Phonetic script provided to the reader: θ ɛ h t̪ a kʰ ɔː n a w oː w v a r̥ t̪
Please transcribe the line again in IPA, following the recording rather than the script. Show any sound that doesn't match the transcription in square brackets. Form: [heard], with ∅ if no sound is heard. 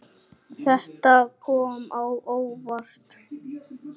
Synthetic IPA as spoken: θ ɛ h t̪ a kʰ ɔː [m] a w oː w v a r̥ t̪